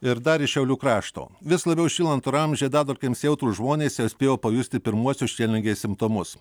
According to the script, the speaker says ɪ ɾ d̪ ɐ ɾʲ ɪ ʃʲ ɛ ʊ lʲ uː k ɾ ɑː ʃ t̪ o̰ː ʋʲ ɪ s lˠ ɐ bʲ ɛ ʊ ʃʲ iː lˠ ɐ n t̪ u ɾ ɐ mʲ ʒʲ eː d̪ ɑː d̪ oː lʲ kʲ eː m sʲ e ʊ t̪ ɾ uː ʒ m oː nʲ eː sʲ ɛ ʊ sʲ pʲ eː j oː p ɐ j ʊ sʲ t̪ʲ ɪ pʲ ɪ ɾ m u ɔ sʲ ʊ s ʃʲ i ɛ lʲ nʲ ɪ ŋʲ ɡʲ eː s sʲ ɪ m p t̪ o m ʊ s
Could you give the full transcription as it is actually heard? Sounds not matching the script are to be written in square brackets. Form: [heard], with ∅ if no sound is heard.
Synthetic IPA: ɪ ɾ d̪ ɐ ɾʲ ɪ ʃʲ ɛ ʊ lʲ uː k ɾ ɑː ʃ t̪ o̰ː ʋʲ ɪ s lˠ ɐ bʲ ɛ ʊ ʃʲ iː lˠ ɐ n t̪ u ɾ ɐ mʲ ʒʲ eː d̪ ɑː d̪ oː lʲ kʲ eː m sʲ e ʊ t̪ ɾ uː ʒ m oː nʲ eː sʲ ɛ ʊ sʲ pʲ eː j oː p ɐ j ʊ sʲ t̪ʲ ɪ pʲ ɪ ɾ m u ɔ sʲ ʊ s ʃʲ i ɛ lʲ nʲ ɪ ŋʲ ɡʲ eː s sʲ ɪ m p t̪ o m ʊ s